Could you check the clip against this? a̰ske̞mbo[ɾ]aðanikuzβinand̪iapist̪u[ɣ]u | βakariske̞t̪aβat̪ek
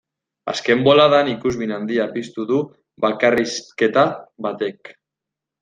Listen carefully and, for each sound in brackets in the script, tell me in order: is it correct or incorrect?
incorrect: l, incorrect: ð

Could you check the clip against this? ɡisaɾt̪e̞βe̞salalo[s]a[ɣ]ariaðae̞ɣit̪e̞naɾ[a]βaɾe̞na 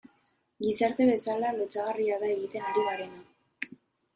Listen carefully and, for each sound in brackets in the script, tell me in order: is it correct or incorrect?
incorrect: t͡s, correct, incorrect: i

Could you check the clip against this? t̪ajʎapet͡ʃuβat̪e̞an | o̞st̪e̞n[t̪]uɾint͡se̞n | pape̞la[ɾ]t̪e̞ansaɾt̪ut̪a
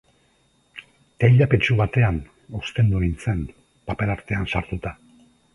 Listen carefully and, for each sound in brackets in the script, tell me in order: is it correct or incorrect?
incorrect: d̪, correct

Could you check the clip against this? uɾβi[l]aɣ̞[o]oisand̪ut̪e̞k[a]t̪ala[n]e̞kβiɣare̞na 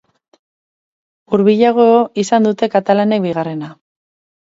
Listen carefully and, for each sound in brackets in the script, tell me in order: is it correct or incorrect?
incorrect: ʎ, correct, correct, correct

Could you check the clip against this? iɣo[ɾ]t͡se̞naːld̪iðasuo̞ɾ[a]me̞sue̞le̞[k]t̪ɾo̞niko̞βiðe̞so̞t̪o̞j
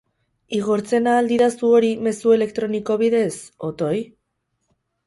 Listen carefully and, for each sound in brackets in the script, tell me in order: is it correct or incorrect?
correct, incorrect: i, correct

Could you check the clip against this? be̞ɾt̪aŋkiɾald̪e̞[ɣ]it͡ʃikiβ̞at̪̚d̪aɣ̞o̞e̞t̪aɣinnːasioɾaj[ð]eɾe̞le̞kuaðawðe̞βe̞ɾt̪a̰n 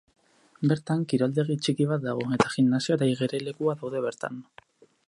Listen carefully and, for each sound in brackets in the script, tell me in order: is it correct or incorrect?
correct, incorrect: ɣ

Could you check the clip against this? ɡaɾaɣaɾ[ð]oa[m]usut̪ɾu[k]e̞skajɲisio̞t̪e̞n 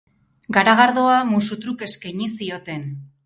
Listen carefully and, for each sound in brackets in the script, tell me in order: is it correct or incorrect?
correct, correct, correct

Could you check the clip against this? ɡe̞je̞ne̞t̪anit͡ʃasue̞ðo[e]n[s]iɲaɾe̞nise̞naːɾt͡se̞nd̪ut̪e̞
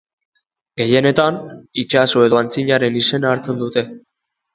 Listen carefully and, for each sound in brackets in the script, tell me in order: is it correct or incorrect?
incorrect: a, incorrect: t͡s

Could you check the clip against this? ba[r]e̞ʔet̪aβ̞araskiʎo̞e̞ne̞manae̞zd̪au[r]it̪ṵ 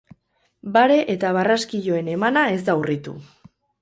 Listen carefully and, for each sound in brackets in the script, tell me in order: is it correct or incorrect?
incorrect: ɾ, correct

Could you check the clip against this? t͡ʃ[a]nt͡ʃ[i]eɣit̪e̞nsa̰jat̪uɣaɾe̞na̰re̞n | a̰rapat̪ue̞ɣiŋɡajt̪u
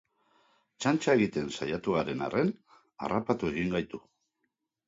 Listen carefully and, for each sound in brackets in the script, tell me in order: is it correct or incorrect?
correct, incorrect: a

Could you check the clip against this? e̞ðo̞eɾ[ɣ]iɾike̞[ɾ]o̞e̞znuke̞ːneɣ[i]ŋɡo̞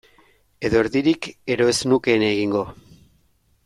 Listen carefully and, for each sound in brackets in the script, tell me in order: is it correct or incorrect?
incorrect: ð, correct, correct

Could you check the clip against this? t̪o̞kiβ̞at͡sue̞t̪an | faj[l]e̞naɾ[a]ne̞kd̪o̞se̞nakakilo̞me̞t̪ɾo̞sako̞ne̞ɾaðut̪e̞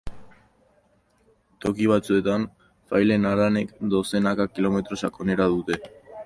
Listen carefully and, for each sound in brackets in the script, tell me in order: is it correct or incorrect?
correct, correct

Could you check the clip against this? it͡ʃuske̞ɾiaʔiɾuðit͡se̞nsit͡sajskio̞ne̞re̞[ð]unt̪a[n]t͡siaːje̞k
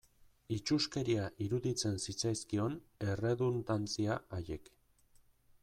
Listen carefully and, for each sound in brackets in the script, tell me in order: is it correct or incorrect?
correct, correct

